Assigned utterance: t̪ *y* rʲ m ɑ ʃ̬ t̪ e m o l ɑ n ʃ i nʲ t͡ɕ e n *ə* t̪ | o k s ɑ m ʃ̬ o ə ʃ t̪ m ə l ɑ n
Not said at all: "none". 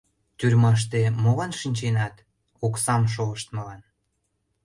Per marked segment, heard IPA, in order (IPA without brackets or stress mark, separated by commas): y, ɑ